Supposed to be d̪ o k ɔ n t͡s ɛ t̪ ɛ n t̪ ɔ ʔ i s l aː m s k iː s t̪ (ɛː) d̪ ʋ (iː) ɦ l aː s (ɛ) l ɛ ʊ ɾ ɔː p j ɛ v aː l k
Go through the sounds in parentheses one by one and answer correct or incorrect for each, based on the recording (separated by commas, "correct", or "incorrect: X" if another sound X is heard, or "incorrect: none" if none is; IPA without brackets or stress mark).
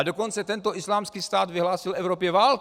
incorrect: aː, incorrect: i, incorrect: i